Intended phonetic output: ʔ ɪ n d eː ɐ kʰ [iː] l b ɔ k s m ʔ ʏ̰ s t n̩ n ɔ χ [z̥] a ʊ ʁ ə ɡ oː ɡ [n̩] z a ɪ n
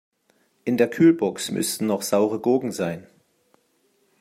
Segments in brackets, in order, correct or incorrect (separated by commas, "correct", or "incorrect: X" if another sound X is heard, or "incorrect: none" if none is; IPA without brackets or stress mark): incorrect: yː, correct, incorrect: ŋ̩